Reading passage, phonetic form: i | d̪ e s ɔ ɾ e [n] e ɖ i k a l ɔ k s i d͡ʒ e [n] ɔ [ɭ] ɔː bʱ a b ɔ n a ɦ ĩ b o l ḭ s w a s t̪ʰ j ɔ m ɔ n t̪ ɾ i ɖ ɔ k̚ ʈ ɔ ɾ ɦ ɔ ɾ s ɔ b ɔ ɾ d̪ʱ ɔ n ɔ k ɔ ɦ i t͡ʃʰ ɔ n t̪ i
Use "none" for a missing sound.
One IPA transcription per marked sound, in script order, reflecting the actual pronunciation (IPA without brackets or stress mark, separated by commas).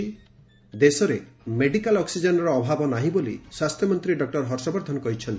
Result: m, n, ɾ